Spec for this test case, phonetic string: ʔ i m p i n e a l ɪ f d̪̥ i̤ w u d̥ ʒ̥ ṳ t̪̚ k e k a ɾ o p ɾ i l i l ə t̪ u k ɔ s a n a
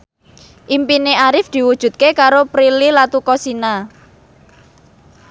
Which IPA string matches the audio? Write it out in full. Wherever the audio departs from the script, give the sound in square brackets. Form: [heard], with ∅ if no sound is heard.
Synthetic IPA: ʔ i m p i n e a [ɾ] ɪ f d̪̥ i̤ w u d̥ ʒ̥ ṳ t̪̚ k e k a ɾ o p ɾ i l i l [a] t̪ u k ɔ s [i] n a